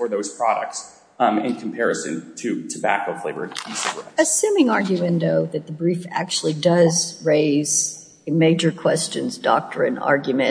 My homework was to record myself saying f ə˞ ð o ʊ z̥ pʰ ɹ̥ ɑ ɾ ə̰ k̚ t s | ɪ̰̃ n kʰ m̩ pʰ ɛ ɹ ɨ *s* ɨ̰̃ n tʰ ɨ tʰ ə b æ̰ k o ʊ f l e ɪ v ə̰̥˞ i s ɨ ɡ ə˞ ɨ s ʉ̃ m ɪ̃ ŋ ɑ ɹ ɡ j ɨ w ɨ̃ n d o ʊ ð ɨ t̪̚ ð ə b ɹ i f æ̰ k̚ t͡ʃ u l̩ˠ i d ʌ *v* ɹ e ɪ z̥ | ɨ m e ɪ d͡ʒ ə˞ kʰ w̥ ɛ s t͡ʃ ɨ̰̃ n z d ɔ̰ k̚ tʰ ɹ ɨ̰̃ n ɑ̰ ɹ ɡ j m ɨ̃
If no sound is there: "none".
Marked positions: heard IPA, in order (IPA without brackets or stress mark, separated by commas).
s, z